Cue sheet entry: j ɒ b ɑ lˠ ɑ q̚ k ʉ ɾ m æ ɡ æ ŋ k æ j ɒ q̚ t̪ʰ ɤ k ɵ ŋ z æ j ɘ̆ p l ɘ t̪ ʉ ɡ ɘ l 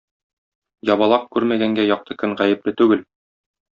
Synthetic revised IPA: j ɒ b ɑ lˠ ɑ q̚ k ʉ ɾ m æ ɡ æ ŋ ɡ æ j ɒ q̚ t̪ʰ ɤ k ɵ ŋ ʁ æ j ɘ̆ p l ɘ t̪ ʉ ɡ ɘ l

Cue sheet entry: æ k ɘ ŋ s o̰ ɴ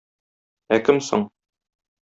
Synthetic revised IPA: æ k ɘ m s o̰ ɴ

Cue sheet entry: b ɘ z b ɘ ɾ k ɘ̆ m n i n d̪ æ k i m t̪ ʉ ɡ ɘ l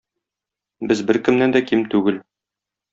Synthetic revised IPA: b ɘ z b ɘ ɾ k ɘ̆ m n æ n d̪ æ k i m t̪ ʉ ɡ ɘ l

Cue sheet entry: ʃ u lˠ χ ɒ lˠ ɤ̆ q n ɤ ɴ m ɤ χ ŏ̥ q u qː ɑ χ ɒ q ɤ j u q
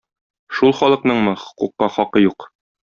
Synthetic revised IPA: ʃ u lˠ χ ɒ lˠ ɤ̆ q n ɤ ɴ m ɤ χ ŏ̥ q u qː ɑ χ ɒ q ɤ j u q

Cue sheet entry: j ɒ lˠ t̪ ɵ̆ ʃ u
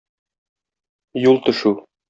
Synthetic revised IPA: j u lˠ t̪ ɵ̆ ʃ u

